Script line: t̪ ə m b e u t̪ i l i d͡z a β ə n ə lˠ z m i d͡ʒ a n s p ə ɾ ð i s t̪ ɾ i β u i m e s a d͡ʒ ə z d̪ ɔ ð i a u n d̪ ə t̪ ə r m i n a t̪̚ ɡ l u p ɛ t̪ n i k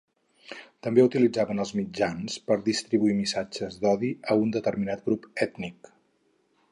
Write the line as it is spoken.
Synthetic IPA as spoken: t̪ ə m b e u t̪ i l i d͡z a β ə n ə lˠ z m i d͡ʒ a n s p ə ɾ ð i s t̪ ɾ i β u i m i s a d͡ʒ ə z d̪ ɔ ð i ə u n d̪ ə t̪ ə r m i n a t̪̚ ɡ ɾ u p ɛ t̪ n i k